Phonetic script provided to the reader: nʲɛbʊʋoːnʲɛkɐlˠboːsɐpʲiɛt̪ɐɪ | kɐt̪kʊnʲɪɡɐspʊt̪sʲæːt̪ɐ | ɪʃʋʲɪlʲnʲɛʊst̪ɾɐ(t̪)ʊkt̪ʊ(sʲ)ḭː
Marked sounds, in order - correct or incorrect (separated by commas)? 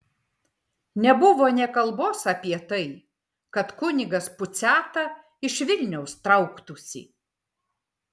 incorrect, correct